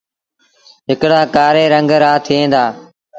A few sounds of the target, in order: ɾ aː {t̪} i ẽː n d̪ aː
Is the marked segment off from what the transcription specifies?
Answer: yes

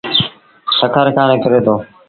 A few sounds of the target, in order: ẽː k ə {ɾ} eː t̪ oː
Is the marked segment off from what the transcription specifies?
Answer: no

